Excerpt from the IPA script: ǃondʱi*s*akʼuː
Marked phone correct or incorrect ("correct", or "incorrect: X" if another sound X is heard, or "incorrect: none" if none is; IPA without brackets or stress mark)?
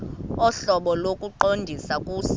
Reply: correct